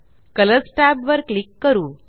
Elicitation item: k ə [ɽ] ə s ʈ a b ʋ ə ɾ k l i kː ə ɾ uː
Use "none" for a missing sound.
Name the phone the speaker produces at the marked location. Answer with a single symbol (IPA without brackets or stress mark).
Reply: l